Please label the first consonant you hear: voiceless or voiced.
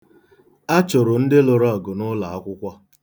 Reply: voiceless